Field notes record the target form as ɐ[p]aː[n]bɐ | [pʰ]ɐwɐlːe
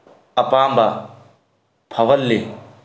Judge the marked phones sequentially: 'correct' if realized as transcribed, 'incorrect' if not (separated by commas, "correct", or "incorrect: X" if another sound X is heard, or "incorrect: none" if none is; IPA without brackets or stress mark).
correct, incorrect: m, correct